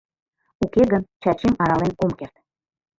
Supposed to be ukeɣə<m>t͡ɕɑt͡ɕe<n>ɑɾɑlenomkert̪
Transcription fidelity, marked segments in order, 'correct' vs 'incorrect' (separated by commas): incorrect, incorrect